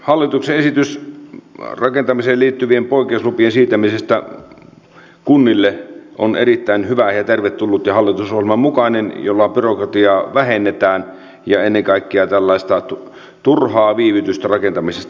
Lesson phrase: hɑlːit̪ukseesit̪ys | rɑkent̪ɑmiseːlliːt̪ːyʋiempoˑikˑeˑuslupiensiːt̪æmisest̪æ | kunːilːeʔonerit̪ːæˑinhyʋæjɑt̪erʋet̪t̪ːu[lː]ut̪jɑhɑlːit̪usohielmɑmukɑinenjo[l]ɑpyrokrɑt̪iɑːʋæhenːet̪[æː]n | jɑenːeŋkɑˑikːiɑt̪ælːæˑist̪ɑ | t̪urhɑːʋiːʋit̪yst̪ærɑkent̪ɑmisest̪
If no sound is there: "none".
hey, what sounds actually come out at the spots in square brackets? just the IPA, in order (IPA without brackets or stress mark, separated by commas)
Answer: lː, lː, æː